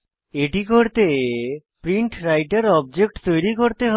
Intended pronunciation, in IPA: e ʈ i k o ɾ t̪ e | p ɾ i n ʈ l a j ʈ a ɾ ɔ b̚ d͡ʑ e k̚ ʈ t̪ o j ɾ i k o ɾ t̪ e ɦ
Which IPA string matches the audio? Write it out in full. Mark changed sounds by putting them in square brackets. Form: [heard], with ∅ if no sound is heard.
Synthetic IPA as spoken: e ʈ i k o ɾ t̪ e | p ɾ i [ɳ] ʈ [ɾ] a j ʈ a ɾ ɔ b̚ d͡ʑ e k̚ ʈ t̪ o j ɾ i k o ɾ t̪ e ɦ